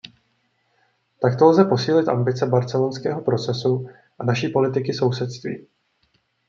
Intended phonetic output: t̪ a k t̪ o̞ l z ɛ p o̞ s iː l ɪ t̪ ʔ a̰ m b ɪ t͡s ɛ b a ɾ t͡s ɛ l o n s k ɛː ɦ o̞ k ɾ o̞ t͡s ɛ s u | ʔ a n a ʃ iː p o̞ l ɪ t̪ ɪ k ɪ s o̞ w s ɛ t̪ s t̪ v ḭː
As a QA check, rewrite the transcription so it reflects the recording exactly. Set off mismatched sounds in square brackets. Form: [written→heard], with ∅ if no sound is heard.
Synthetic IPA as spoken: t̪ a k t̪ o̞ l z ɛ p o̞ s iː l ɪ t̪ ʔ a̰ m b ɪ t͡s ɛ b a ɾ t͡s ɛ l o n s k ɛː ɦ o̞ [k→p] ɾ o̞ t͡s ɛ s u | ʔ a n a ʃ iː p o̞ l ɪ t̪ ɪ k ɪ s o̞ w s ɛ t̪ s t̪ v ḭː